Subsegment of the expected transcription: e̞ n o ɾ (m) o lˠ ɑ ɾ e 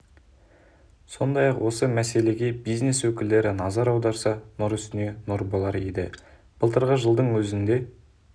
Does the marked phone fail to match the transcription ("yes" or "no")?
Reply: yes